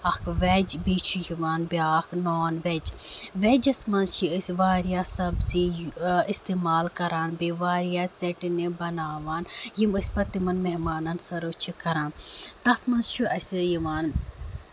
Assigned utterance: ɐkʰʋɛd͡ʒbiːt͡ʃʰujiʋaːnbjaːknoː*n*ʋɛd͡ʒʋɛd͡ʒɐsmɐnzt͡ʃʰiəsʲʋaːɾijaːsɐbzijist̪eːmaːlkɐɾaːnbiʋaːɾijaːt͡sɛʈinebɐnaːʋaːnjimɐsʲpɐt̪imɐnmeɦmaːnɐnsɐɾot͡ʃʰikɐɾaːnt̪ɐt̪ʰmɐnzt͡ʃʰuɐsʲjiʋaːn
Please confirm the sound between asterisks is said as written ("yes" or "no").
yes